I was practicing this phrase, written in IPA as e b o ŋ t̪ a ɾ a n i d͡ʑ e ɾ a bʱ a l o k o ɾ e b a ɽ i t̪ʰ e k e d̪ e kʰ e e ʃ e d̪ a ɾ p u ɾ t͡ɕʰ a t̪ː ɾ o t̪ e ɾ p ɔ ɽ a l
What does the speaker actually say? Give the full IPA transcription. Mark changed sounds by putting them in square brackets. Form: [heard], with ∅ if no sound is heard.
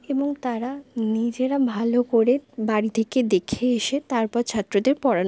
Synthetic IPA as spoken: e b o ŋ t̪ a ɾ a n i d͡ʑ e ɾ a bʱ a l o k o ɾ e b a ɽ i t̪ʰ e k e d̪ e kʰ e e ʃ e [t̪] a ɾ p [ɔ] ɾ t͡ɕʰ a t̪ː ɾ o [d̪] e ɾ p ɔ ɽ a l

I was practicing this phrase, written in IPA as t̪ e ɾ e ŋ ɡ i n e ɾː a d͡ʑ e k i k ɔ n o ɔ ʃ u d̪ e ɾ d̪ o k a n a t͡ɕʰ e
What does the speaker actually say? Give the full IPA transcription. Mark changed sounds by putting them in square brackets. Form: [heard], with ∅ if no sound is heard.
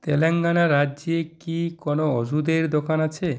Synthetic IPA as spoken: t̪ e [l] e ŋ ɡ [a] n [a] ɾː a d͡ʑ e k i k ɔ n o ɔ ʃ u d̪ e ɾ d̪ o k a n a t͡ɕʰ e

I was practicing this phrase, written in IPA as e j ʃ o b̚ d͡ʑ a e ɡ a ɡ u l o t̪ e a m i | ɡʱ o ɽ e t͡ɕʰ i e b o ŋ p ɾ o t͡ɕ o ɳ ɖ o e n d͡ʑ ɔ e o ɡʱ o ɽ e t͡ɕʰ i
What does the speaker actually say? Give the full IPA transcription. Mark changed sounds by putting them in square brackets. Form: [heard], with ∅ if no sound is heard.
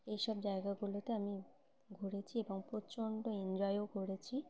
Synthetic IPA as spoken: e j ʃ [ɔ] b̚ d͡ʑ a e ɡ a ɡ u l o t̪ e a m i | ɡʱ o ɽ e t͡ɕʰ i e b o ŋ p ɾ o t͡ɕ o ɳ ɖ o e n d͡ʑ ɔ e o ɡʱ o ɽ e t͡ɕʰ i

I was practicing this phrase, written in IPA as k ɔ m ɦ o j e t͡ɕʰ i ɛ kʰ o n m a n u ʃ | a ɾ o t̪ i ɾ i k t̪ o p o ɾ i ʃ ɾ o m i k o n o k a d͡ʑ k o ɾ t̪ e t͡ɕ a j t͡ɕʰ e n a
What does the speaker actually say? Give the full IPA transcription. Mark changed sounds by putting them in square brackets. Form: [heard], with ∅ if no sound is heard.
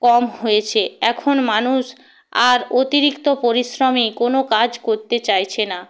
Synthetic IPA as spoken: k ɔ m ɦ o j e t͡ɕʰ [e] ɛ kʰ o n m a n u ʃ | a ɾ o t̪ i ɾ i k t̪ o p o ɾ i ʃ ɾ o m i k o n o k a d͡ʑ k o ɾ t̪ e t͡ɕ a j t͡ɕʰ e n a

